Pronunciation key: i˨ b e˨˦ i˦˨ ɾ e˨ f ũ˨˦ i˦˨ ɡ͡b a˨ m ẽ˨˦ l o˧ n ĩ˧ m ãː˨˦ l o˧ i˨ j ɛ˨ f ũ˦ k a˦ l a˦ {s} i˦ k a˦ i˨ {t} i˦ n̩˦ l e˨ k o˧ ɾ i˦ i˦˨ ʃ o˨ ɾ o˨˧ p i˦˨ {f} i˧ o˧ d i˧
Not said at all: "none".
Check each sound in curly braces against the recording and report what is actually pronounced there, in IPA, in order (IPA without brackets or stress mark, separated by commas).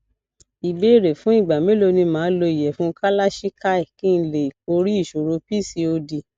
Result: ʃ, k, s